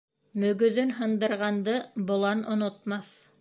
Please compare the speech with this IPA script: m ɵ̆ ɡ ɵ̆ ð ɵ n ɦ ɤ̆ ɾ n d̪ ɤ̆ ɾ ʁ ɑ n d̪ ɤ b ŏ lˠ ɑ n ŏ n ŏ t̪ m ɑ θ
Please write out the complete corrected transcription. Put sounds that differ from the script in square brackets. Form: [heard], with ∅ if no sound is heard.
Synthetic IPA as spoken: m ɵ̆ ɡ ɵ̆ ð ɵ n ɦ ɤ̆ [∅] n d̪ ɤ̆ ɾ ʁ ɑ n d̪ ɤ b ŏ lˠ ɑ n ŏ n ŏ t̪ m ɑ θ